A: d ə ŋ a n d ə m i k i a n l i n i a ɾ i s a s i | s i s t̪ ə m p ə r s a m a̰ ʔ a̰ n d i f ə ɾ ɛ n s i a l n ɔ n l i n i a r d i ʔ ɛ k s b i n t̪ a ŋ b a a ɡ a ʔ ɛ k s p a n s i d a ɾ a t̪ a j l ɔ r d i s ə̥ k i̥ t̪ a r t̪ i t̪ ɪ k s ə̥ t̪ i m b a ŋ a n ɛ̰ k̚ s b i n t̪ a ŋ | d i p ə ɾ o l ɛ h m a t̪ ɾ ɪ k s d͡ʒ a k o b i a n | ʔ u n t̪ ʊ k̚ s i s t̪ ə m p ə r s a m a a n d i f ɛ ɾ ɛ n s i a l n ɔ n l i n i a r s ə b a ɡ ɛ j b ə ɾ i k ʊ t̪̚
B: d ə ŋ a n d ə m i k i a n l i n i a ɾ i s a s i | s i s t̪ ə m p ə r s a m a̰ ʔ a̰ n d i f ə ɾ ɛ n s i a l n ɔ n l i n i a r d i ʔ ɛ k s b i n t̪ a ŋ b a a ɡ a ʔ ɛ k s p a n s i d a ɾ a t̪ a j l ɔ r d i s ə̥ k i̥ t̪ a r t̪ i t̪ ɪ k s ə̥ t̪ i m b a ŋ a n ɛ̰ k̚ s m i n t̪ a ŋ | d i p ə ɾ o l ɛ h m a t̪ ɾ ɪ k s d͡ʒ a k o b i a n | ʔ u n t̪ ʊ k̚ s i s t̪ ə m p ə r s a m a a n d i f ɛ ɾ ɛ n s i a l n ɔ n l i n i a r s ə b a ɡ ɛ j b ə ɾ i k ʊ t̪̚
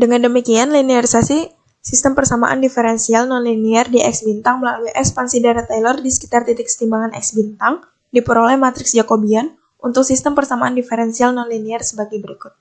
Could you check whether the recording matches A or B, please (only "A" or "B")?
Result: A